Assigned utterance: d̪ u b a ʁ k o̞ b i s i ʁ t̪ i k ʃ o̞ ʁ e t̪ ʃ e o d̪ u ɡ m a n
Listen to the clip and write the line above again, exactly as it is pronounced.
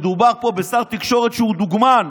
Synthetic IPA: d̪ u b a ʁ p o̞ b e s a ʁ t̪ i k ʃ o̞ ʁ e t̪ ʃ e u d̪ u ɡ m a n